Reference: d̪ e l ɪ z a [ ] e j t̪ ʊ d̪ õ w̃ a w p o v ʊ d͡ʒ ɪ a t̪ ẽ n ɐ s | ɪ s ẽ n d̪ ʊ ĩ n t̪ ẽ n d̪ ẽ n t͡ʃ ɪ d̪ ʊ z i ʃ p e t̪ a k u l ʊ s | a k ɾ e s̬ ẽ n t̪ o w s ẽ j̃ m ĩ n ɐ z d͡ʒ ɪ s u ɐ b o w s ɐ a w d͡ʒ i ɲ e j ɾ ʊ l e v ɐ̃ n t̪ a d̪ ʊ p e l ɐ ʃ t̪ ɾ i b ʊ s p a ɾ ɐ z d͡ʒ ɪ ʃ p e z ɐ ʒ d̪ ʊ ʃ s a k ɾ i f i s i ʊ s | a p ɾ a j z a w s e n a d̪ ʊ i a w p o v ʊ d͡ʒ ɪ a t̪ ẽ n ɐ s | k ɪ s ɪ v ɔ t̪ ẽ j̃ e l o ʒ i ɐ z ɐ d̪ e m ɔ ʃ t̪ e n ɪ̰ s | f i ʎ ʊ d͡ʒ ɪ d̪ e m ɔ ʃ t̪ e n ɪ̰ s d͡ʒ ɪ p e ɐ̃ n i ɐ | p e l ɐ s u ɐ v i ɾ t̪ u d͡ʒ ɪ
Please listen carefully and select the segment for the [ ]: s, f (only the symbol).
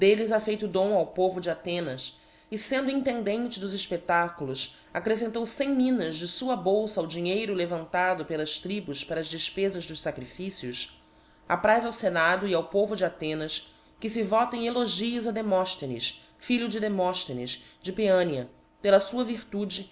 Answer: f